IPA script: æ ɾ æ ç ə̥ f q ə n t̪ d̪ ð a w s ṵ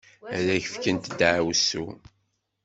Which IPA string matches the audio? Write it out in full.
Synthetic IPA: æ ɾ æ ç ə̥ f k ə n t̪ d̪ ʕ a w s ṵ

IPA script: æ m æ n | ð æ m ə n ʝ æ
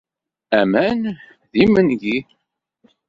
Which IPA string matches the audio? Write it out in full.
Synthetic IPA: æ m æ n | ð i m ə n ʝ i

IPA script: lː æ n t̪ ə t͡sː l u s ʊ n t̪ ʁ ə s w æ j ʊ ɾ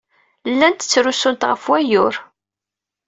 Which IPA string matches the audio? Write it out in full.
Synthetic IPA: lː æ n t̪ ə t͡sː ɾ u s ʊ n t̪ ʁ ə f w æ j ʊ ɾ

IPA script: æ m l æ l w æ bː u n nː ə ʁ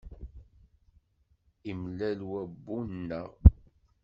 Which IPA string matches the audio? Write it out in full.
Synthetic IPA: i m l æ l w æ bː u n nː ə ʁ

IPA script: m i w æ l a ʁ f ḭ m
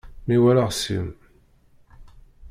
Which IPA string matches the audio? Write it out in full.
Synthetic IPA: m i w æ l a ʁ s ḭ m

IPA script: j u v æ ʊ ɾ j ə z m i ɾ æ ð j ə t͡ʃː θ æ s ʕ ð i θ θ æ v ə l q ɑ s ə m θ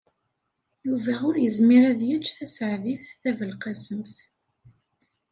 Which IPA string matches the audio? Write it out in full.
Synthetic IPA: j u v æ ʊ ɾ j ə z m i ɾ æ ð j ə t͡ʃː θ æ s ʕ ð i θ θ æ v ə l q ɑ s ə m θ

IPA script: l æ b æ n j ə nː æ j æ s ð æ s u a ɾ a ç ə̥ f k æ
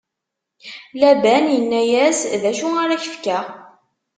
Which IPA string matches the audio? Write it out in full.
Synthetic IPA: l æ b æ n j ə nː æ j æ s ð æ ʃ u a ɾ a ç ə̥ f k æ

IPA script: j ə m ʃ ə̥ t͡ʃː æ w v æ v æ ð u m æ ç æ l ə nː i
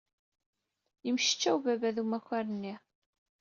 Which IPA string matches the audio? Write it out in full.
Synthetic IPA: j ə m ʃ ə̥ t͡ʃː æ w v æ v æ ð u m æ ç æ ɾ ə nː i

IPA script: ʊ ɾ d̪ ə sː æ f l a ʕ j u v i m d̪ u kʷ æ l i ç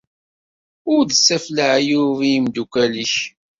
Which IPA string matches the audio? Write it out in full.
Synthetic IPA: ʊ ɾ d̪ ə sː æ f l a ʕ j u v i m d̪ u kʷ æ l i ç

